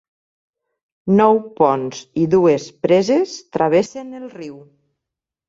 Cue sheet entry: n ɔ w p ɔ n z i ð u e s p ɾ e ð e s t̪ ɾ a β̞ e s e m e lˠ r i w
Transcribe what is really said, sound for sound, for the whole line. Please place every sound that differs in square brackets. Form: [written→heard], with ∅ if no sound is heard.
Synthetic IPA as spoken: n ɔ w p ɔ n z i ð u e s p ɾ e [ð→z] e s t̪ ɾ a β̞ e s e [m→n] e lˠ r i w